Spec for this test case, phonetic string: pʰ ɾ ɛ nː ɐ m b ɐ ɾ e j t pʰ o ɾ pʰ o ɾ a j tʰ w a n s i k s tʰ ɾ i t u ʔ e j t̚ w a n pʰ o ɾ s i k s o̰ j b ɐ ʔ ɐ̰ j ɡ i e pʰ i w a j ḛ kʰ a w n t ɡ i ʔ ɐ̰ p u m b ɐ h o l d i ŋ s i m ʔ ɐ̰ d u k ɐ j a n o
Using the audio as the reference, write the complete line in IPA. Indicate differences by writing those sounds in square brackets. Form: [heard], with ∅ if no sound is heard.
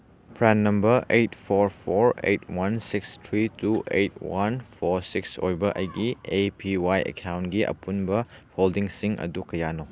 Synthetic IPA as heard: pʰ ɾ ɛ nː ɐ m b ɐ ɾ e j t pʰ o ɾ pʰ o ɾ [e] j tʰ w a n s i k s tʰ ɾ i t u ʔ e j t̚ w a n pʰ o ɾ s i k s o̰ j b ɐ ʔ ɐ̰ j ɡ i e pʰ i w a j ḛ kʰ a w n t ɡ i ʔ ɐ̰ p u [n] b ɐ h o l d i ŋ s i [ŋ] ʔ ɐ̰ d u k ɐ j a n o